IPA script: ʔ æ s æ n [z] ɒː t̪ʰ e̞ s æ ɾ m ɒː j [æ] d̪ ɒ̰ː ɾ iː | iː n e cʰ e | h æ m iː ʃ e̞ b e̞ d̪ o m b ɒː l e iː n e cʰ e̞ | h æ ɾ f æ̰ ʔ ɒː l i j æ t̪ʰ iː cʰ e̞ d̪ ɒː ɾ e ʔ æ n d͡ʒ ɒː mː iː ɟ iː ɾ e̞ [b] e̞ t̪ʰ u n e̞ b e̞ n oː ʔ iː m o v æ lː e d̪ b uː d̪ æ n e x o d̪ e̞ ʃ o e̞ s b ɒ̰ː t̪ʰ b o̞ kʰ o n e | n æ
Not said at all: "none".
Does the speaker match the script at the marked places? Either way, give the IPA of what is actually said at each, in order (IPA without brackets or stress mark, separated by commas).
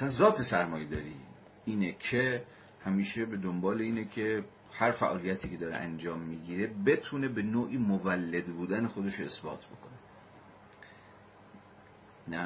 z, e, b